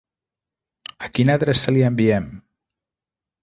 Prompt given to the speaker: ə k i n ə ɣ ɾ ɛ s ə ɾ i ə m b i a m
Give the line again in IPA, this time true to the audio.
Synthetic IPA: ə k i n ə ð ɾ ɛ s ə l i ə m b i ɛ m